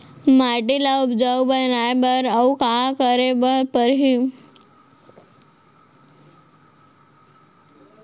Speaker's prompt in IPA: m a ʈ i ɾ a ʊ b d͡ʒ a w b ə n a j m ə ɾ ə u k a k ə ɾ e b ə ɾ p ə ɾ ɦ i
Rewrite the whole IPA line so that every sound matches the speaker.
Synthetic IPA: m a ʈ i l a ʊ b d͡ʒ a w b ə n a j b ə ɾ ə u k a k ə ɾ e b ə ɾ p ə ɾ ɦ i